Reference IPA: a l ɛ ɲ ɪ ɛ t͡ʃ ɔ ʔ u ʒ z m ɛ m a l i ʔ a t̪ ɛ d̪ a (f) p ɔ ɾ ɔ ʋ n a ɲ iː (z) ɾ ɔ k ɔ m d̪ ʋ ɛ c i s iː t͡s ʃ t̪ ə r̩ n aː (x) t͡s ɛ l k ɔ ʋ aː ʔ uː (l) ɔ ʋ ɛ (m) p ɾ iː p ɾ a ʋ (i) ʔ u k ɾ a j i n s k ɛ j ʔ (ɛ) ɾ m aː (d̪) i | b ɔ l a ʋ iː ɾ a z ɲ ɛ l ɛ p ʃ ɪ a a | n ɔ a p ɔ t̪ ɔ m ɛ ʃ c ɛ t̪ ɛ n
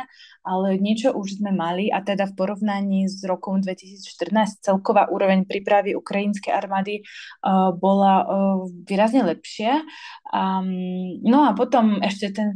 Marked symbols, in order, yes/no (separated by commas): yes, yes, no, no, no, yes, no, yes